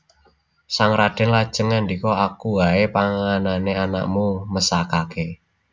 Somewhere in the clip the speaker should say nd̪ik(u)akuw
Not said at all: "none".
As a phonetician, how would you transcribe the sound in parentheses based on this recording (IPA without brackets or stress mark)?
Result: ɔ